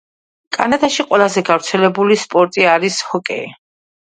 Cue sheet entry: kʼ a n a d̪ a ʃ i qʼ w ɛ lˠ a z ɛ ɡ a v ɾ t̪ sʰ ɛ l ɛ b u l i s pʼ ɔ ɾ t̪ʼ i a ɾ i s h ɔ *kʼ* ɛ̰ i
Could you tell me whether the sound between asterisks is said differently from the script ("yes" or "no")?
no